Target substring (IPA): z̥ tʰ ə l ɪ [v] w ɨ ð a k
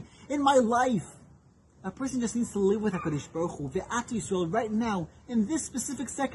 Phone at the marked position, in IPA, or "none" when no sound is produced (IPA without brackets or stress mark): v